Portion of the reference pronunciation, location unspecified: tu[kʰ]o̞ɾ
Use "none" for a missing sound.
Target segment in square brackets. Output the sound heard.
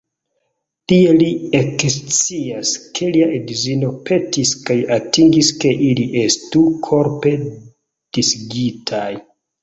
kʰ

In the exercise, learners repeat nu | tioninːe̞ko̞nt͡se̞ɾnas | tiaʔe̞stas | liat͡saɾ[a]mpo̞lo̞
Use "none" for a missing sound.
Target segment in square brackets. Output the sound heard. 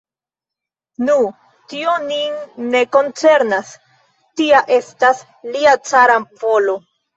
a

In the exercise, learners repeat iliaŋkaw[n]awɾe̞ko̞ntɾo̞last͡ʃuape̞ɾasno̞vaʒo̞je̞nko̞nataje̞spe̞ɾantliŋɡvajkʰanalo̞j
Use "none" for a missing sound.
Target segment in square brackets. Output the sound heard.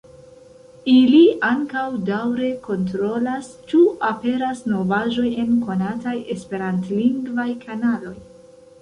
d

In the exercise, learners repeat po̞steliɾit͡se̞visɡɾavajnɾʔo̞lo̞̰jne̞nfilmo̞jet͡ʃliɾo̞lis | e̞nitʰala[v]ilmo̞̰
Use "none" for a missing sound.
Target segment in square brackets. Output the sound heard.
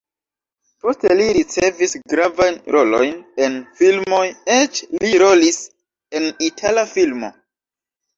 f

